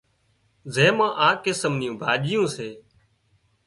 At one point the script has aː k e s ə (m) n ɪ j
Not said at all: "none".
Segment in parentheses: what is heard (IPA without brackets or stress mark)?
m